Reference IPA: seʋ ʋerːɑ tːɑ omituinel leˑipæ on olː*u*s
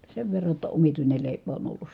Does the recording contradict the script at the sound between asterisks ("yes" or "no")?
no